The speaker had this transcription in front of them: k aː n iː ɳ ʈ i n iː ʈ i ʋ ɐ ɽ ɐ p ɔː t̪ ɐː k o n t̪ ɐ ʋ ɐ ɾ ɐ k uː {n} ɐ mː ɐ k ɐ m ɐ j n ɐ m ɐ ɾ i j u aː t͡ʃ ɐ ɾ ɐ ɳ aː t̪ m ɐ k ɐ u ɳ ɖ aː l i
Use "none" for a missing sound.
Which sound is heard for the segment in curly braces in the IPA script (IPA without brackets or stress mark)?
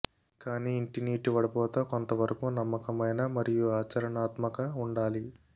n